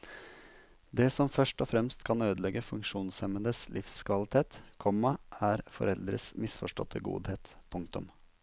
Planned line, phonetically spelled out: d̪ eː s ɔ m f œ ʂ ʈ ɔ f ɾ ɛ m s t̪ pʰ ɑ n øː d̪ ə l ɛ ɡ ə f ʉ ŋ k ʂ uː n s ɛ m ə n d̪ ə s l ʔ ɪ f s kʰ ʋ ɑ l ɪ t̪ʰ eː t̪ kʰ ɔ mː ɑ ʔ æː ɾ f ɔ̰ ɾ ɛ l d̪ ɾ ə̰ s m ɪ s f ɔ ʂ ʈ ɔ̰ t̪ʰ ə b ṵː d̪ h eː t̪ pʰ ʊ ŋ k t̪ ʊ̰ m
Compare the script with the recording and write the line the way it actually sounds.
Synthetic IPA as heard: d̪ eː s ɔ m f œ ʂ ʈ ɔ f ɾ ɛ m s t̪ kʰ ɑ n øː d̪ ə l ɛ ɡ ə f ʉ ŋ k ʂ uː n s ɛ m ə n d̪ ə s l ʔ ɪ f s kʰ ʋ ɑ l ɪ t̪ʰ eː t̪ kʰ ɔ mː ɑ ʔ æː ɾ f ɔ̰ ɾ ɛ l d̪ ɾ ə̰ s m ɪ s f ɔ ʂ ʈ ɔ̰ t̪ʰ ə ɡ ṵː d̪ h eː t̪ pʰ ʊ ŋ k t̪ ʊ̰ m